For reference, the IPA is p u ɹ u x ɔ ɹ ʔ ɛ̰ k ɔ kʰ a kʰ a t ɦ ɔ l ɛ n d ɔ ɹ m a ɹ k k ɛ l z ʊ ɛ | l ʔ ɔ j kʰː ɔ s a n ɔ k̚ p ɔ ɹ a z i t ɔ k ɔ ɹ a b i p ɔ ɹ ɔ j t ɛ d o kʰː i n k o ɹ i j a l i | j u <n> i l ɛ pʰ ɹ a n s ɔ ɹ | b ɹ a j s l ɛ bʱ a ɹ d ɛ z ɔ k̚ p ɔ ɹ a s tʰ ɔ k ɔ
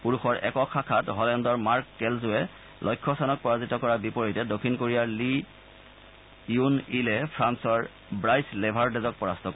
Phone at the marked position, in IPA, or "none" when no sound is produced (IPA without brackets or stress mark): n